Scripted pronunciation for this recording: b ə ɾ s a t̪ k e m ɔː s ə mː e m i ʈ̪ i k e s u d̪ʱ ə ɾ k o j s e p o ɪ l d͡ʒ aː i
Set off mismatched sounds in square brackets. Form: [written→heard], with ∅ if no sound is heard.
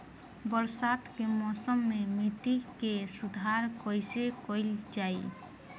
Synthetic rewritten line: b ə ɾ s a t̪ k e m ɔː s ə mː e m i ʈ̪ i k e s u d̪ʱ [ə→a] ɾ k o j s e [p→k] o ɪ l d͡ʒ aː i